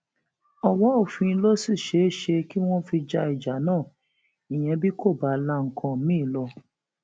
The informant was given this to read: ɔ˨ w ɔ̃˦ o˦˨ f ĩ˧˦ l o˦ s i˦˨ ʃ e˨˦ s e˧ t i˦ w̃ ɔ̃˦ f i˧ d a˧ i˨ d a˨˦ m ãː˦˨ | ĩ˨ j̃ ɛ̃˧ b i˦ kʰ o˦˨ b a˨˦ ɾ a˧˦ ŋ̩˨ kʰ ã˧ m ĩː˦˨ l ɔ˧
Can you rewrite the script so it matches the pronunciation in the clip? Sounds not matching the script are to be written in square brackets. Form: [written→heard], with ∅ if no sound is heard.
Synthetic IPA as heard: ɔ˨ w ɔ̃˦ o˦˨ f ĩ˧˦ l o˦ s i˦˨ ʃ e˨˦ [s→ʃ] e˧ [t→k] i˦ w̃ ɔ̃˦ f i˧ [d→d͡ʒ] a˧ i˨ [d→d͡ʒ] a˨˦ [m→n] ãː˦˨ | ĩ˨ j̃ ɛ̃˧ b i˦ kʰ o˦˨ b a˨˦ [ɾ→l] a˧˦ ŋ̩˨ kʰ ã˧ m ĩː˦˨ l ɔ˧